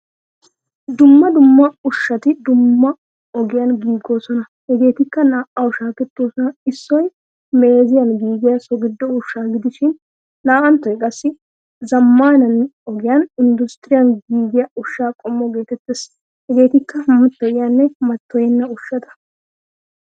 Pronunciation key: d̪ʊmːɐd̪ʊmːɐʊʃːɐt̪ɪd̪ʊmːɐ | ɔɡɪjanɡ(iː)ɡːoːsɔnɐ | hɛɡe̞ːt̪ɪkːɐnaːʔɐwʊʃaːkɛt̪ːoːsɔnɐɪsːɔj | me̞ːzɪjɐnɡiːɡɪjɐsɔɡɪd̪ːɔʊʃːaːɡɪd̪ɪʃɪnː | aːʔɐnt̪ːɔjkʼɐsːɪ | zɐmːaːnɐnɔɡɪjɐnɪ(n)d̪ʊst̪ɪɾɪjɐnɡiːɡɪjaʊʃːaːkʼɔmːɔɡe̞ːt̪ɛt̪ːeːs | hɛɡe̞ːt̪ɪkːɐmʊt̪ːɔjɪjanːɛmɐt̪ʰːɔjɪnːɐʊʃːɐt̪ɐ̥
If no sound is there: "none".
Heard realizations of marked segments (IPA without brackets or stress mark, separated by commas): iː, n